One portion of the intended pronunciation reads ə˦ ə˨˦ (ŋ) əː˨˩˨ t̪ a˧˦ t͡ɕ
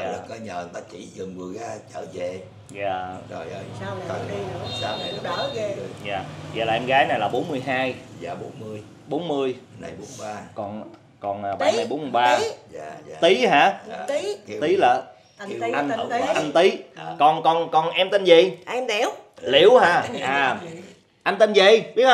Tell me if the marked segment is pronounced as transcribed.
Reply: no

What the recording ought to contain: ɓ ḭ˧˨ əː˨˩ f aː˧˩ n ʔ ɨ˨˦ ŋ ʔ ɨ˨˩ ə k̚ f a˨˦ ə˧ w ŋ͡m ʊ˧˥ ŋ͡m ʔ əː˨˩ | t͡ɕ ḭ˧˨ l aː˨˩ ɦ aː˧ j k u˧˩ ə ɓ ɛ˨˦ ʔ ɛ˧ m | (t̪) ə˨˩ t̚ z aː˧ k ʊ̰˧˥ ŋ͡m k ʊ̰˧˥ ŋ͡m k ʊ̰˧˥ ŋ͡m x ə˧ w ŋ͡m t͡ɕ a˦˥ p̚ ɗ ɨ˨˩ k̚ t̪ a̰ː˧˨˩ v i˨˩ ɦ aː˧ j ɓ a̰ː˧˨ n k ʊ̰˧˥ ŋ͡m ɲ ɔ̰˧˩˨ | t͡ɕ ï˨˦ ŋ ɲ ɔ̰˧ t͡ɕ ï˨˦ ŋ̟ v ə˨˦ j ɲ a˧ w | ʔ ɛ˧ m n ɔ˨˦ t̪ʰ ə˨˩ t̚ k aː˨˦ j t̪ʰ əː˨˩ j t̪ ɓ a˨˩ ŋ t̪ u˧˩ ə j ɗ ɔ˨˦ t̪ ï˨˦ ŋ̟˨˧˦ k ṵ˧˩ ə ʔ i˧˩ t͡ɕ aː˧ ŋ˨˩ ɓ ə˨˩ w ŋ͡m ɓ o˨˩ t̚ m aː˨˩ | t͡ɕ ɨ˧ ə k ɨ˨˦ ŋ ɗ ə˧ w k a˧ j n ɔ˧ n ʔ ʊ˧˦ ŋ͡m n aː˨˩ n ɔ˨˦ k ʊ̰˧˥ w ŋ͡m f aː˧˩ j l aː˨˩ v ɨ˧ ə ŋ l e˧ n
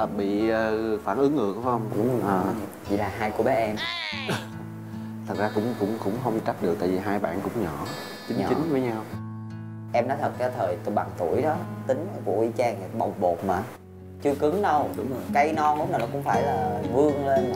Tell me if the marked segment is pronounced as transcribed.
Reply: no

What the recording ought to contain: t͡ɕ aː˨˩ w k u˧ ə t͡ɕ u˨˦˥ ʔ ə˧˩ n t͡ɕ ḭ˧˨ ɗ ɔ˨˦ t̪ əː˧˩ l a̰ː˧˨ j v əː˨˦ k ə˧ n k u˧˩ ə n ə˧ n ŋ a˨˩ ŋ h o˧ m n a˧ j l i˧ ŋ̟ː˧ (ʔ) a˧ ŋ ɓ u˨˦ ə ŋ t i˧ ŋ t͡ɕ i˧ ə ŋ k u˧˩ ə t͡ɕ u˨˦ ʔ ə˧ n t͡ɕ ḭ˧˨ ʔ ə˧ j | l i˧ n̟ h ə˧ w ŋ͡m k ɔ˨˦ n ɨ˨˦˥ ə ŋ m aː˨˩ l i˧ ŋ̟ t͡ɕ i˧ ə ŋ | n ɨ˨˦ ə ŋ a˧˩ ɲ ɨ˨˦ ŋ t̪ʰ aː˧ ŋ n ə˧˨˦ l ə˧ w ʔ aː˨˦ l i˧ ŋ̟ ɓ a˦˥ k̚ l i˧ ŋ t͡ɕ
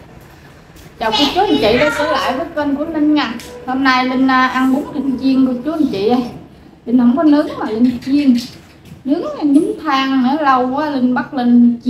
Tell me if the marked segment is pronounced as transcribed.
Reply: yes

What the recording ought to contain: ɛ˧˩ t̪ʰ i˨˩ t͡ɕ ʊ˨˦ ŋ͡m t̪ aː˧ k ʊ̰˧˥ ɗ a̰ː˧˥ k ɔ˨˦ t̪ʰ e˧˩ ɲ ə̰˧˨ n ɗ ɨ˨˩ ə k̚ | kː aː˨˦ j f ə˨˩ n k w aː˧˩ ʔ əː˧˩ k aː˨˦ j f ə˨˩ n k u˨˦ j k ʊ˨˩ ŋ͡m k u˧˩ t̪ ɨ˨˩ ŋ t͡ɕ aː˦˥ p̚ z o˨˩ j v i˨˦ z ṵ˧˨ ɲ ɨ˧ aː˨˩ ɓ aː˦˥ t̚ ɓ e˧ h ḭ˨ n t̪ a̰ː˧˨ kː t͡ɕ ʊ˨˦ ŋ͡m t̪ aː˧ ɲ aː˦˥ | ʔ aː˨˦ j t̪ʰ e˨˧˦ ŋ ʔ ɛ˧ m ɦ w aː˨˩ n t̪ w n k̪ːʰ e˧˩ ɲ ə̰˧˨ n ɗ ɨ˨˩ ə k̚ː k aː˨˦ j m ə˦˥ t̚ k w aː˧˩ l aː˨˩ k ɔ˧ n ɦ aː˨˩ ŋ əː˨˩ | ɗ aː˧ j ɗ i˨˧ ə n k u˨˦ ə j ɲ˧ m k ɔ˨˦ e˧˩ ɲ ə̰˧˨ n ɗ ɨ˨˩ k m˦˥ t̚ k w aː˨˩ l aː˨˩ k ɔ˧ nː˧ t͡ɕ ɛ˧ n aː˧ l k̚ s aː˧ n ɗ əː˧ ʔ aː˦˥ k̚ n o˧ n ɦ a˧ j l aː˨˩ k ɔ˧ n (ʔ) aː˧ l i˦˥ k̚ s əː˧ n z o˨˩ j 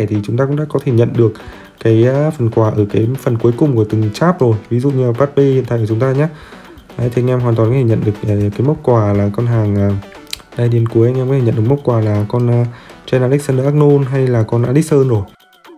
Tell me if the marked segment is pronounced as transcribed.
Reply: yes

